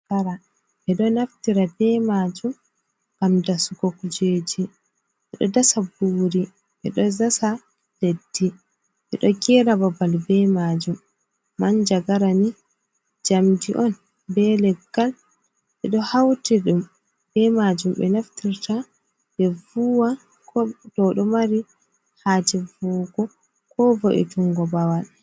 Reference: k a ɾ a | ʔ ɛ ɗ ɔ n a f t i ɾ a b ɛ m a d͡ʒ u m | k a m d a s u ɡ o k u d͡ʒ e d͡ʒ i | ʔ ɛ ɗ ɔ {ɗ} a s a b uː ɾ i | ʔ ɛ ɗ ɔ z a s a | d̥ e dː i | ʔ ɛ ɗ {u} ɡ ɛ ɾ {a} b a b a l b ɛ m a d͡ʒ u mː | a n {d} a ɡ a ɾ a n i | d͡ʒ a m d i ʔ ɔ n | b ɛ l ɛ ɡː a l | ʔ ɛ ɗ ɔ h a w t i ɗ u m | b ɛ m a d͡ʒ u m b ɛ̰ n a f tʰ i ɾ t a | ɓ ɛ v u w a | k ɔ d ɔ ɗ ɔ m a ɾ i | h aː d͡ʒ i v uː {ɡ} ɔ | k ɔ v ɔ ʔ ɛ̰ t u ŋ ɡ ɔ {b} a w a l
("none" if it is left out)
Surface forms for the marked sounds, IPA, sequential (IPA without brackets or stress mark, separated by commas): d, ɔ, a, d͡ʒ, ɡ, b